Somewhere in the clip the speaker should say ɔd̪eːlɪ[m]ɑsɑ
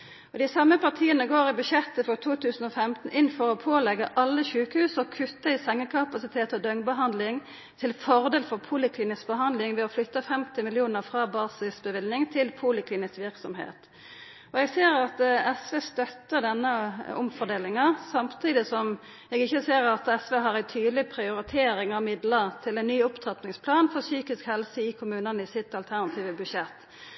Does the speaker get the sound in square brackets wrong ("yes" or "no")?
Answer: yes